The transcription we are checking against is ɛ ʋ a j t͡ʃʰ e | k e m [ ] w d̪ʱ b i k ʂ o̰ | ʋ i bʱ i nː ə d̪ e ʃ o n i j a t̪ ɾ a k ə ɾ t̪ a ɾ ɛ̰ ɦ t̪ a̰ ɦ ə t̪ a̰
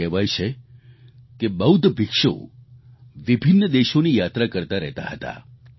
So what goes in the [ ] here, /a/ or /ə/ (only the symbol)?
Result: ə